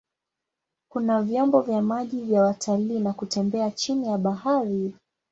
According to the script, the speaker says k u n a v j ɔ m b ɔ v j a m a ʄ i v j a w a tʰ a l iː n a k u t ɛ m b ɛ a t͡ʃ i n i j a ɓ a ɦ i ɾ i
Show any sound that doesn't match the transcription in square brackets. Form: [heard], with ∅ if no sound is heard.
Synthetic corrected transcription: k u n a v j ɔ m b ɔ v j a m a ʄ i v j a w a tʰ a l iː n a k u t ɛ m b ɛ a t͡ʃ i n i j a ɓ a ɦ [a] ɾ i

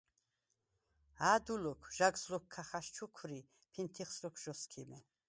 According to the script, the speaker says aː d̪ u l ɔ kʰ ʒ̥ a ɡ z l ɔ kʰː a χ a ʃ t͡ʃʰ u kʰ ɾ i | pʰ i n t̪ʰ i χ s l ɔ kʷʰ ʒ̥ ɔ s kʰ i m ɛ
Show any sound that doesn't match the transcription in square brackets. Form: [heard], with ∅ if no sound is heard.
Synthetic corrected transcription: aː d̪ u l ɔ kʰ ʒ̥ a ɡ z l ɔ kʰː a χ a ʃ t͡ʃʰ u kʰ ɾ i | pʰ i n t̪ʰ i χ s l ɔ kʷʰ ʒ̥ ɔ s kʰ i m ɛ

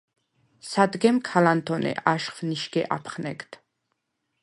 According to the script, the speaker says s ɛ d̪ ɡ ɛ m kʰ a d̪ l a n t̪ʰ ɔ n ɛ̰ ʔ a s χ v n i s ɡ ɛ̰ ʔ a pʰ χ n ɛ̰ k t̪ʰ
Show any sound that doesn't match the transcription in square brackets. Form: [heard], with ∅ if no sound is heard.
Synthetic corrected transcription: s [a] d̪ ɡ ɛ m kʰ a [∅] l a n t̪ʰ ɔ n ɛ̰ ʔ a [ʃ] χ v n i [ʃ] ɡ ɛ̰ ʔ a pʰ χ n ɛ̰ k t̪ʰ

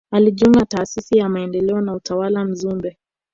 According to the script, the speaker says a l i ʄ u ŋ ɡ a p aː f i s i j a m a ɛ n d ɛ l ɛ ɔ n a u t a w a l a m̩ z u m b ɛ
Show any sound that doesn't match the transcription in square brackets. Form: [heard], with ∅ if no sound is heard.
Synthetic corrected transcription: a l i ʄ u ŋ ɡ a [t] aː [s] i s i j a m a ɛ n d ɛ l ɛ ɔ n a u t a w a l a m̩ z u m b ɛ

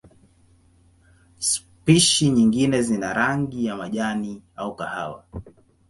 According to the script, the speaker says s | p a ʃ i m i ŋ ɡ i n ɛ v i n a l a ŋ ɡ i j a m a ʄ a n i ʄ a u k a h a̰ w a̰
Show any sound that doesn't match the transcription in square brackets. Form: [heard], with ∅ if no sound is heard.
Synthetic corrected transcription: s | p [i] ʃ i [ɲ] i ŋ ɡ i n ɛ [z] i n a [ɾ] a ŋ ɡ i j a m a ʄ a n i [∅] a u k a h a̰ w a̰

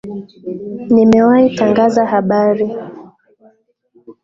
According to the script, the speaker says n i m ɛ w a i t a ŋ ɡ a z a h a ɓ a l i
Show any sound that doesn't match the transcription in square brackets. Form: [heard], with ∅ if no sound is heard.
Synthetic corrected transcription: n i m ɛ w a i t a ŋ ɡ a z a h a ɓ a [ɾ] i

